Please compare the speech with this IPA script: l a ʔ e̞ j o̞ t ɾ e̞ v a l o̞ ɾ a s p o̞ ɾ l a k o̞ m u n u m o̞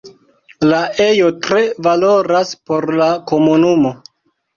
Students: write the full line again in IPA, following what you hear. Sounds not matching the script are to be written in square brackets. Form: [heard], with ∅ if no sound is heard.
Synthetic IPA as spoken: l a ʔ e̞ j o̞ t ɾ e̞ v a l o̞ ɾ a s p o̞ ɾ l a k o̞ m u n u m o̞